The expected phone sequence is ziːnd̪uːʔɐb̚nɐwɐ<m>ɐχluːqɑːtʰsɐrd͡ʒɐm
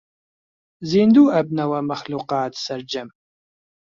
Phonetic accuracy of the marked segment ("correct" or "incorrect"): correct